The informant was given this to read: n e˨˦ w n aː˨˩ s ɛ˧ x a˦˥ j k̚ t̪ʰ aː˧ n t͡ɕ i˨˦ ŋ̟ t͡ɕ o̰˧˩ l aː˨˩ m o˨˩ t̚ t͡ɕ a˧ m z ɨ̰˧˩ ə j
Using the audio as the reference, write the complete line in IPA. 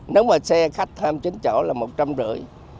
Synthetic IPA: n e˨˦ w m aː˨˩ s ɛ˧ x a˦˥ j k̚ t̪ʰ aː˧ m t͡ɕ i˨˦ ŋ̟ t͡ɕ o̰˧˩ l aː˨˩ m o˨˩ t̚ t͡ɕ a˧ m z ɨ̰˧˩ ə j